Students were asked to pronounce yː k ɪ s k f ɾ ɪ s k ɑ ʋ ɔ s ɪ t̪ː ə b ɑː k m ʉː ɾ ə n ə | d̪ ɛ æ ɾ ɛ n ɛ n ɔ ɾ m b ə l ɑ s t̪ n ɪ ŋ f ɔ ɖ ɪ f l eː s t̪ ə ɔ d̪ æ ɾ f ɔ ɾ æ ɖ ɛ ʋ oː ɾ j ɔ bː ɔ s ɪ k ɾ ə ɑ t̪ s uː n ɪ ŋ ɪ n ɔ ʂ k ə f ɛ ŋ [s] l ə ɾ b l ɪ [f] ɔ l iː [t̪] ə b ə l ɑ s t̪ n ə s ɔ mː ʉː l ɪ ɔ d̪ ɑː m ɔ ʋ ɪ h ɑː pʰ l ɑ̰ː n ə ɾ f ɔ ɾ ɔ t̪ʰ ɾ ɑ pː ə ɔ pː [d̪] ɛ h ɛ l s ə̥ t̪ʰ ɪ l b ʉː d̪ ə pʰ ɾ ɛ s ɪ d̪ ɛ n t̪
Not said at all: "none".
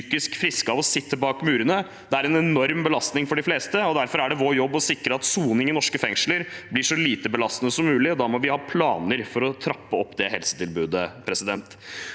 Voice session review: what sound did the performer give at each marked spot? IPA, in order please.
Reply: ʂ, ʂ, t̪, d̪

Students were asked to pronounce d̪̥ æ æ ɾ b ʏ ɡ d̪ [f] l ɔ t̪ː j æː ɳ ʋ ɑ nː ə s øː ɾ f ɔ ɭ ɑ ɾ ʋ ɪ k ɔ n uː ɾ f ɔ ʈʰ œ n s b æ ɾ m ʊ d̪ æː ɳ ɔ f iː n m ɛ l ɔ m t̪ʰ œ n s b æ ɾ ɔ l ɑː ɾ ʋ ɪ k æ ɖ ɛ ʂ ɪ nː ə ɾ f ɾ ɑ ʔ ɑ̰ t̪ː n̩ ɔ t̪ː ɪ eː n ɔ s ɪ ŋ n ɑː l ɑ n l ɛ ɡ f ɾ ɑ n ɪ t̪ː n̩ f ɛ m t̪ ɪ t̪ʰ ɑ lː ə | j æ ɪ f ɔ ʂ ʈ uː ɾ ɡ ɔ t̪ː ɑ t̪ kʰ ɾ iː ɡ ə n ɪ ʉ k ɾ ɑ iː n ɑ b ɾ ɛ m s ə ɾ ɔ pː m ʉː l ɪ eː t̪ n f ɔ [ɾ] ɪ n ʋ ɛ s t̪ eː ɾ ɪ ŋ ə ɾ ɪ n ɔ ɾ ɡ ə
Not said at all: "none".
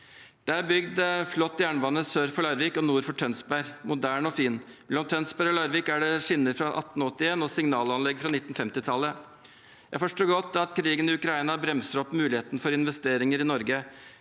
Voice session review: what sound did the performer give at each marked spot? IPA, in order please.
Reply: f, ɾ

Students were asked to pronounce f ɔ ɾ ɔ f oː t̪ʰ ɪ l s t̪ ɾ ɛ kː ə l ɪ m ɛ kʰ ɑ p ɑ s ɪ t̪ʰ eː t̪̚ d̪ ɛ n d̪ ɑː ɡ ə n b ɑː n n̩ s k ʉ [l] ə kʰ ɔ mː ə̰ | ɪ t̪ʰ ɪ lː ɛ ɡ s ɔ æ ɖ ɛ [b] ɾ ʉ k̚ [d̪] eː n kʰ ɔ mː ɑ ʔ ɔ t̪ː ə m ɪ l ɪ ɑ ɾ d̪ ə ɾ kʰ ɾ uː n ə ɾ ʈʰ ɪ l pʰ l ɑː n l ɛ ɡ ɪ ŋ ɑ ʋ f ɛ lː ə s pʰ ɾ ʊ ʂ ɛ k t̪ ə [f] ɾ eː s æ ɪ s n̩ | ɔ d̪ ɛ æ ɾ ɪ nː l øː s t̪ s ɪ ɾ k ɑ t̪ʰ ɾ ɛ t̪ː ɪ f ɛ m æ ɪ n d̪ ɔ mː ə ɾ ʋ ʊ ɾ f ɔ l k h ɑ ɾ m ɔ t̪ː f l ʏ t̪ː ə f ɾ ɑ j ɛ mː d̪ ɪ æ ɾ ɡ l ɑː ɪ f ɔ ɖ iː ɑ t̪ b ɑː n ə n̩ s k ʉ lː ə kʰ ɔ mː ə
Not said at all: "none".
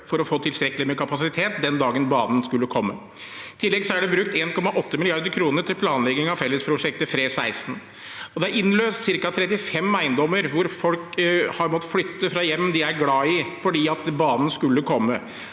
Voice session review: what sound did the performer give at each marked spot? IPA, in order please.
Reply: lː, b, t̪, f

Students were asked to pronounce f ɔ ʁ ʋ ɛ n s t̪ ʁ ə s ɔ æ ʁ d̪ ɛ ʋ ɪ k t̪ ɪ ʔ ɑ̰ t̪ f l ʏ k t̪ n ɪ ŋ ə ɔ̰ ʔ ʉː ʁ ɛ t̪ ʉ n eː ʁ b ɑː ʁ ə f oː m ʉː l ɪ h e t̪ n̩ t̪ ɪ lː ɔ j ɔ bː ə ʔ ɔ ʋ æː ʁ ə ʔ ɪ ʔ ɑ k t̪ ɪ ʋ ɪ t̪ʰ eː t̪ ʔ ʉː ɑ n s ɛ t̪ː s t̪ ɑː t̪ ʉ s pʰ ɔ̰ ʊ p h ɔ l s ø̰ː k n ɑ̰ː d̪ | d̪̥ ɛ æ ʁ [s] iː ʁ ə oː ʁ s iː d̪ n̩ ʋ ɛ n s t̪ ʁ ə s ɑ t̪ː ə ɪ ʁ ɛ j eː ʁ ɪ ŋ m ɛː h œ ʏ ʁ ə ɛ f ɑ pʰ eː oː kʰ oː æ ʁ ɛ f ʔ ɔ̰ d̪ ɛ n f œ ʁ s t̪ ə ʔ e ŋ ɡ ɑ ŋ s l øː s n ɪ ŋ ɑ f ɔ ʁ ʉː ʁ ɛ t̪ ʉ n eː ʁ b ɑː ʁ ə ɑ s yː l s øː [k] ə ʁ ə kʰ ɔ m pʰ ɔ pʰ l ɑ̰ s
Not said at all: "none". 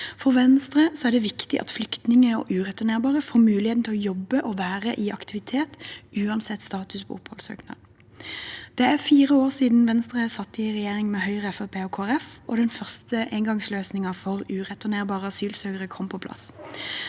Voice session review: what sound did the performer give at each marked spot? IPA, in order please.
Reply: f, ɡ

